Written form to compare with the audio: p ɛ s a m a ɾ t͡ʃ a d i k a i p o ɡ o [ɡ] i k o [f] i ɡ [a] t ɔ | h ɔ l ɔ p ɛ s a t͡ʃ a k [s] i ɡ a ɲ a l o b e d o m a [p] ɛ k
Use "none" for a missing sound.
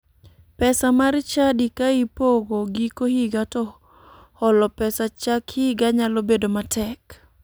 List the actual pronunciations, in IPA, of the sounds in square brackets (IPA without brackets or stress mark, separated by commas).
ɡ, h, a, h, t